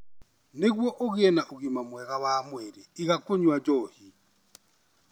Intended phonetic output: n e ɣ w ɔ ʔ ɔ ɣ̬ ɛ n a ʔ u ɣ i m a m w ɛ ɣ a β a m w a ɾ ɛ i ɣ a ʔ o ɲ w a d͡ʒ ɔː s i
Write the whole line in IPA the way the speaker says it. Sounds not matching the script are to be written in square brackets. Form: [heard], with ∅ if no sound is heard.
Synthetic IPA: n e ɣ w ɔ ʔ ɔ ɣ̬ ɛ n a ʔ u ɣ i m a m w ɛ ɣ a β a m w [ɛ] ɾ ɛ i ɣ a [k] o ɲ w a d͡ʒ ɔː [h] i